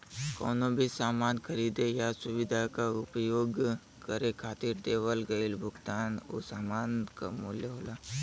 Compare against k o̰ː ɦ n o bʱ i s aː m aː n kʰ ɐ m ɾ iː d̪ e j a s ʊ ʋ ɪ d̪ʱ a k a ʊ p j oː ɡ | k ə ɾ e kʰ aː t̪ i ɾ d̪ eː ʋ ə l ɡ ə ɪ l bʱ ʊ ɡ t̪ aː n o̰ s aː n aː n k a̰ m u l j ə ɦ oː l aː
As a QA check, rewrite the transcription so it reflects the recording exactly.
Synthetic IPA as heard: k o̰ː n o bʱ i s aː m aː n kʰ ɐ ɾ iː d̪ e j a s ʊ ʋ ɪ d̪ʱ a k a ʊ p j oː ɡ | k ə ɾ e kʰ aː t̪ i ɾ d̪ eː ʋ ə l ɡ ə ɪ l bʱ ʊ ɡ t̪ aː n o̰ s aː m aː n k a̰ m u l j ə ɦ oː l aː